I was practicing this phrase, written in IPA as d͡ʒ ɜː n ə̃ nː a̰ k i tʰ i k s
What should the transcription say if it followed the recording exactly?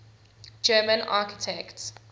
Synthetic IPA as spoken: d͡ʒ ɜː m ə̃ n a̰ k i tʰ ɛ k t